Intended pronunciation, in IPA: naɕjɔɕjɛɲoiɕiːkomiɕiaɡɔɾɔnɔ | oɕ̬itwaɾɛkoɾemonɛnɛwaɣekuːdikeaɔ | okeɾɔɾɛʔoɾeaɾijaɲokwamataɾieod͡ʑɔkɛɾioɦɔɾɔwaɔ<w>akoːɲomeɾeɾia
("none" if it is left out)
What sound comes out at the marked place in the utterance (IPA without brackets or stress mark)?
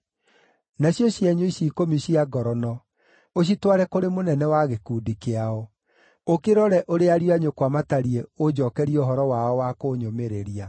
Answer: w